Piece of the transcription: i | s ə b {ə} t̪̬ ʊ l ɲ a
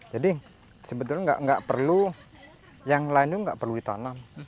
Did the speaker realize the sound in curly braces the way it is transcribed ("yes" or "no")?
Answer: yes